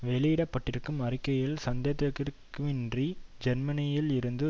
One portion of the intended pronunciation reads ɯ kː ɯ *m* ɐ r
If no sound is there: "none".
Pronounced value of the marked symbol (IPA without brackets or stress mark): m